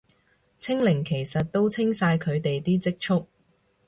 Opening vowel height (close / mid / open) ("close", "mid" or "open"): close